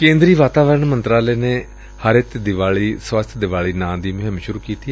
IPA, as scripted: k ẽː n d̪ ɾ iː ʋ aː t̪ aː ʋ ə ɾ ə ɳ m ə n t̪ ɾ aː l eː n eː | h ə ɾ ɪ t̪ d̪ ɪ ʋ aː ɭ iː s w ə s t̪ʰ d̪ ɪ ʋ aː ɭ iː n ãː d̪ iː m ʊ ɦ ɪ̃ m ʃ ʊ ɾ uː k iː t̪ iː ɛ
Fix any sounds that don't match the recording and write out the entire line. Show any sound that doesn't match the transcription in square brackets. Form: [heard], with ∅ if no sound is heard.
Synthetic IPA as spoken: k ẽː n d̪ ɾ iː ʋ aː t̪ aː ʋ ə ɾ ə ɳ m ə n t̪ ɾ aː l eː n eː | h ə ɾ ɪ t̪ d̪ ɪ ʋ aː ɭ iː s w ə s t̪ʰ d̪ ɪ ʋ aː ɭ iː n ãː d̪ iː m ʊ ɦ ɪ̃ m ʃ ʊ ɾ uː k iː t̪ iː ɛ